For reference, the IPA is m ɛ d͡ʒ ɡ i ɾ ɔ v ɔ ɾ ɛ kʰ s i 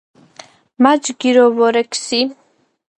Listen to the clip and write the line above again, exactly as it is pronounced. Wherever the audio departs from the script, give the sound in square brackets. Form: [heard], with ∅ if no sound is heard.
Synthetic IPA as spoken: m [a] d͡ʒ ɡ i ɾ ɔ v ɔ ɾ ɛ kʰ s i